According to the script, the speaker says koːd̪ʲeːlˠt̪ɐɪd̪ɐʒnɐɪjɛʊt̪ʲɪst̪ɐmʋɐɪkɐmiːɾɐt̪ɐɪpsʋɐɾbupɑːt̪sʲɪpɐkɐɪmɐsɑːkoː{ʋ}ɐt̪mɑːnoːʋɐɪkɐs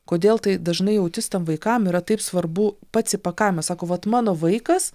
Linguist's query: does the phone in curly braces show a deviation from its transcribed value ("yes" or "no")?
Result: no